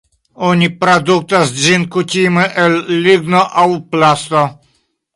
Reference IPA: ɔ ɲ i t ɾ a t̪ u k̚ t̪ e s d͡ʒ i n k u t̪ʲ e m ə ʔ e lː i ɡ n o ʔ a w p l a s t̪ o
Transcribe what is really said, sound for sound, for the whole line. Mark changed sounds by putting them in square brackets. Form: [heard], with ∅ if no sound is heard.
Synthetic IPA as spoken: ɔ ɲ i [p] ɾ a [d̪] u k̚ t̪ [a] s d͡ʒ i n k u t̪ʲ [i] m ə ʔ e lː i ɡ n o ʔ a w p l a s t̪ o